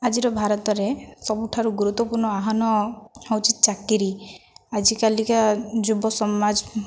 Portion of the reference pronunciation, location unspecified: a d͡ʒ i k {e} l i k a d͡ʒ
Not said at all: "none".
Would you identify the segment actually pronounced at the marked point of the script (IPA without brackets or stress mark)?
a